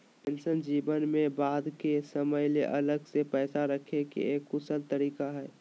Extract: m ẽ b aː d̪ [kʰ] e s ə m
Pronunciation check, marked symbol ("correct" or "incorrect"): incorrect